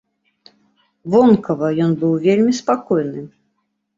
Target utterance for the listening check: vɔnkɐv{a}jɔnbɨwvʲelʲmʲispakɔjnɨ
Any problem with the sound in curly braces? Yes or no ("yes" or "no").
yes